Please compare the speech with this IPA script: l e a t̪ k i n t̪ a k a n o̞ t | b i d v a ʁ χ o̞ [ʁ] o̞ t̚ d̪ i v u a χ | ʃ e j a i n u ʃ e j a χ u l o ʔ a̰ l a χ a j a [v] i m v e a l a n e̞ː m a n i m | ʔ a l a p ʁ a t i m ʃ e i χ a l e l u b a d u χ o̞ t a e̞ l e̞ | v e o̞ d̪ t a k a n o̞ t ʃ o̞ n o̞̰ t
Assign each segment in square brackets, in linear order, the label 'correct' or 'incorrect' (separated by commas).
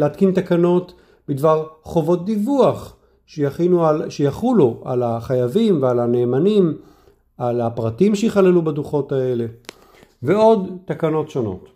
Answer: incorrect, correct